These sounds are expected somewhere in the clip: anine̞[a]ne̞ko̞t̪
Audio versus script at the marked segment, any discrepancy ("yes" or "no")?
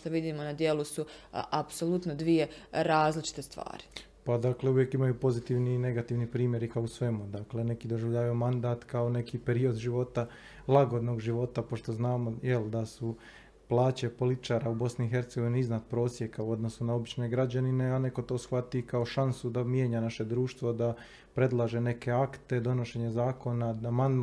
no